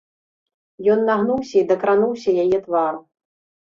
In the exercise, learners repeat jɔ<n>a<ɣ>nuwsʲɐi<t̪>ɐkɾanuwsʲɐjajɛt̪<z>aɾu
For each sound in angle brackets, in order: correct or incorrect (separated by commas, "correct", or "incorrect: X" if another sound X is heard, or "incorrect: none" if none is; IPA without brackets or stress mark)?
incorrect: nː, correct, incorrect: d̪, incorrect: v